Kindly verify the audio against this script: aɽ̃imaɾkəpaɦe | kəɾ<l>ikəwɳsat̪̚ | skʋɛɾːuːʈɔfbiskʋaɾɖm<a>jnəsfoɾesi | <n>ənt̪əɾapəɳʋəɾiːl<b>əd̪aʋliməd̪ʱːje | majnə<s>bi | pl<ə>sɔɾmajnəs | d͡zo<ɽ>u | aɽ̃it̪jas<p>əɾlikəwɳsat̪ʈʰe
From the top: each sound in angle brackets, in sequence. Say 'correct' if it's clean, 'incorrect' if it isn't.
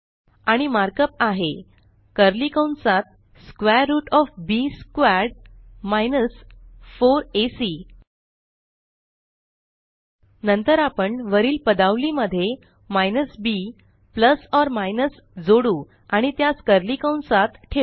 correct, correct, correct, incorrect: p, correct, correct, correct, incorrect: k

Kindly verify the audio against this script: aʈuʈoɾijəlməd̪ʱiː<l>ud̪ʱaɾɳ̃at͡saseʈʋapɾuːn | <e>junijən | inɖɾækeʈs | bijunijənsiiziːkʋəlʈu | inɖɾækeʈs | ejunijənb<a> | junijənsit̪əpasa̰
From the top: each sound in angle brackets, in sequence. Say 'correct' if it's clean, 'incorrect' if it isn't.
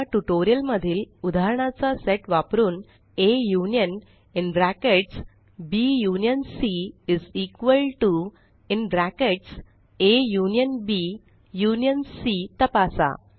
correct, correct, incorrect: i

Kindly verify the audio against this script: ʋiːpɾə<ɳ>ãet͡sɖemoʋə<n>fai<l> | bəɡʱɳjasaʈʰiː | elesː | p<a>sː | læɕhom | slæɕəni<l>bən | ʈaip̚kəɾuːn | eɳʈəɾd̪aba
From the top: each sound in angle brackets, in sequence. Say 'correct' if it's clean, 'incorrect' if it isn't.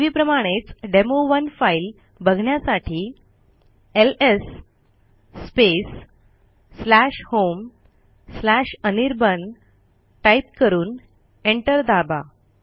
incorrect: m, correct, correct, incorrect: e, incorrect: ɾ

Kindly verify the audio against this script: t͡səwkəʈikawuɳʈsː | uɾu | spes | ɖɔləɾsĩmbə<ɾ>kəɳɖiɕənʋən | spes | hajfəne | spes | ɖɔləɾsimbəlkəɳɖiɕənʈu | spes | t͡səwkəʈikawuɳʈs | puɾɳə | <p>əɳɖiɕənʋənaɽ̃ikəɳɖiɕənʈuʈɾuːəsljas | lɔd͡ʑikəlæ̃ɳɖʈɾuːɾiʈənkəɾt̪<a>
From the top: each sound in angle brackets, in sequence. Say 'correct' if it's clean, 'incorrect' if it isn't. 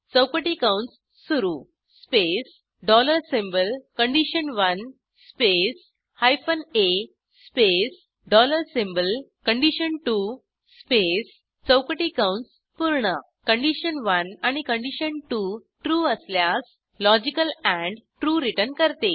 incorrect: l, incorrect: k, incorrect: e

